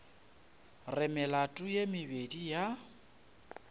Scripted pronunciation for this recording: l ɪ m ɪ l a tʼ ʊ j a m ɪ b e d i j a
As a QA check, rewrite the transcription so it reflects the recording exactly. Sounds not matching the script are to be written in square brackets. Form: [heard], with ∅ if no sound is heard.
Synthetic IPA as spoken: [r] ɪ m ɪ l a tʼ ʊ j [e] m ɪ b e d i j a

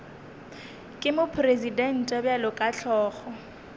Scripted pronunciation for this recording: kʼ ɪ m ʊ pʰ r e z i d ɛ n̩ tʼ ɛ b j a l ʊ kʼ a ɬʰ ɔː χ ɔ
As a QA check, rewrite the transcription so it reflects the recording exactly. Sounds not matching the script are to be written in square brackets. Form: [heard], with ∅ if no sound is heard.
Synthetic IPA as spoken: kʼ ɪ m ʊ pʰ r e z i d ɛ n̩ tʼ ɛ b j a l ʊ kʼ a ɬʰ ɔː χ ɔ

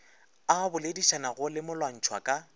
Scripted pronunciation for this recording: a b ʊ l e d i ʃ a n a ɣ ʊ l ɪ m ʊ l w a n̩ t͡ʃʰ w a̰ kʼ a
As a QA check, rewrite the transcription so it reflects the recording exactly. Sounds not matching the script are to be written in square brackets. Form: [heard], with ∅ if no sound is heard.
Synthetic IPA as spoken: a b ʊ l e d i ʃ a n a ɣ ʊ l ɪ m ʊ l w a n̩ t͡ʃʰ w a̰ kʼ a

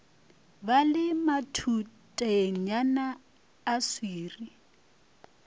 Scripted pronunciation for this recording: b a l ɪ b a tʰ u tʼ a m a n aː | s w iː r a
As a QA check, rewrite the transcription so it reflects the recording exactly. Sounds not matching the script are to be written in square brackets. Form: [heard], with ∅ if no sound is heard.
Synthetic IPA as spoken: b a l ɪ [m] a tʰ u tʼ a [ɲ] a n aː | s w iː r [i]

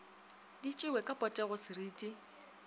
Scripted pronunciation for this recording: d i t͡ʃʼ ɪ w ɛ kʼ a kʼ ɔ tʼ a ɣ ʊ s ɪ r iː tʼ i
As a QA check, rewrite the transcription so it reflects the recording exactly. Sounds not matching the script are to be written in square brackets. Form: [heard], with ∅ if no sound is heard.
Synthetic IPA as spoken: d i t͡ʃʼ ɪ w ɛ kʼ a [pʼ] ɔ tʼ [ɛ] ɣ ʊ s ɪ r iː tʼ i

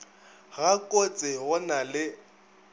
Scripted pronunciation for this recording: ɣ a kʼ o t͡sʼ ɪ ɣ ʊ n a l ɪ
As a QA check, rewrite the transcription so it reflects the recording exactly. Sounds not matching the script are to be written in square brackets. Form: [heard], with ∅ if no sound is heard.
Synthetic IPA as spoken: ɣ a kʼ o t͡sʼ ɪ ɣ ʊ n a l ɪ

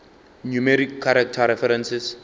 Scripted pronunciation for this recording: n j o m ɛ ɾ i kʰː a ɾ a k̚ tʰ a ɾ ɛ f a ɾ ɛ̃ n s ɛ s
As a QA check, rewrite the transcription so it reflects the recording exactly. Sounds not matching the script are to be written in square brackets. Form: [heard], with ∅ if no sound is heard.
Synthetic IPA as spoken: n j [u] m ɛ ɾ i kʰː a ɾ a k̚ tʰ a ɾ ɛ f [ɛ] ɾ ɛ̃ n s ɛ s

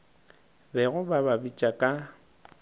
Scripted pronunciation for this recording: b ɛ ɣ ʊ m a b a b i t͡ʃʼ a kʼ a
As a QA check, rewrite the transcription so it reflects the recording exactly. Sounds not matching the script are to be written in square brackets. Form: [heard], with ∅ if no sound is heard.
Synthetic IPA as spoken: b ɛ ɣ ʊ [b] a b a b i t͡ʃʼ a kʼ a

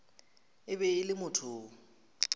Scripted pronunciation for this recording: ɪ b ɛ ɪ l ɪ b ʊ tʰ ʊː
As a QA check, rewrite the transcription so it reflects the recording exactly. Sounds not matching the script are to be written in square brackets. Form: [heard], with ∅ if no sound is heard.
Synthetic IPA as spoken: ɪ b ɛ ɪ l ɪ [m] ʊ tʰ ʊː

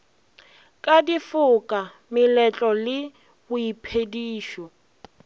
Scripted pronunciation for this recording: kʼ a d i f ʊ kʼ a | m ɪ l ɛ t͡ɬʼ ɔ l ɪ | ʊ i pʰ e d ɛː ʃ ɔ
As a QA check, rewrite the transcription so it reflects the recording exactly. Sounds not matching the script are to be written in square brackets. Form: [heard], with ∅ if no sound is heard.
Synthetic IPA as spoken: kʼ a d i f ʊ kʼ a | m ɪ l ɛ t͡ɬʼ ɔ l ɪ | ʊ i pʰ e d [iː] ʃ ɔ

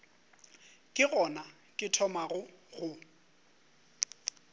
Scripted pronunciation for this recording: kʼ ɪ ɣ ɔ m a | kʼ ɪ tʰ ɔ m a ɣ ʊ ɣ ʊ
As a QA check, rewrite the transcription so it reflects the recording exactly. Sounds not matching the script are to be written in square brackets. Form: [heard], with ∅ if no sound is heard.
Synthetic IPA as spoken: kʼ ɪ ɣ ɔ [n] a | kʼ ɪ tʰ ɔ m a ɣ ʊ ɣ ʊ

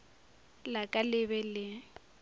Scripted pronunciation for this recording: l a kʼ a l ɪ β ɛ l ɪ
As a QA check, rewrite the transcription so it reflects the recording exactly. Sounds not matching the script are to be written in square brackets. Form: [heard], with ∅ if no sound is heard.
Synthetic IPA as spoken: l a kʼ a l ɪ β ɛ l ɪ

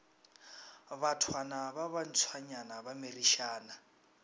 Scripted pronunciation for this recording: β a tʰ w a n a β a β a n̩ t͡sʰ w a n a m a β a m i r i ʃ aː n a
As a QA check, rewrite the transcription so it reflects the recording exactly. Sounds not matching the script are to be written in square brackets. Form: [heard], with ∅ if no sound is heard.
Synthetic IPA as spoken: β a tʰ w a n a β a β a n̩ t͡sʰ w a [ɲ] a [n] a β a m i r i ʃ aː n a

